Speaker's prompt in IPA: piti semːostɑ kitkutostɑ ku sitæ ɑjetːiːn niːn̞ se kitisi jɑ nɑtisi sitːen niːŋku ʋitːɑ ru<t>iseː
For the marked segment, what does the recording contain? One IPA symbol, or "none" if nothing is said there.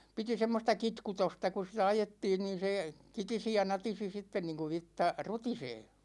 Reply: t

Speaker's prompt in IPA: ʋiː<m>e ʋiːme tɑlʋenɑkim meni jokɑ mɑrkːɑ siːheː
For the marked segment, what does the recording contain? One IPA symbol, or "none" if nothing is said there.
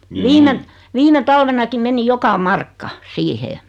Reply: m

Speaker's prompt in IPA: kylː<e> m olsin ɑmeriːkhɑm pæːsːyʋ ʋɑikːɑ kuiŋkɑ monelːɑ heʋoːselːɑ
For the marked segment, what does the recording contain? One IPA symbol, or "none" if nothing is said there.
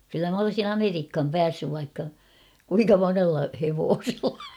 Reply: æ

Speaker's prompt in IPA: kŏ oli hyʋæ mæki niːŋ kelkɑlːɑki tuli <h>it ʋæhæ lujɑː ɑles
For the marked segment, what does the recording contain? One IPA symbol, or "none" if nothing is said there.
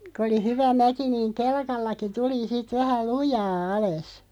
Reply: s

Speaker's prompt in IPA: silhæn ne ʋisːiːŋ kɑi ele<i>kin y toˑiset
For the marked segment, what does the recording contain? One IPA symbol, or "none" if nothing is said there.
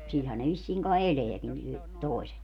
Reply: æ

